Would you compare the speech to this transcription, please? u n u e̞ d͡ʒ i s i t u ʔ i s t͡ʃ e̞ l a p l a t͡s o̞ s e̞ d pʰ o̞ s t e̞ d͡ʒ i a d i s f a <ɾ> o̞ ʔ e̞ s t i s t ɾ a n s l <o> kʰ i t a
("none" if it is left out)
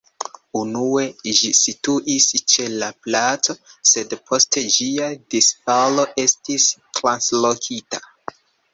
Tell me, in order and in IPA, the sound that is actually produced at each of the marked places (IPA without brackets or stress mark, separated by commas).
l, o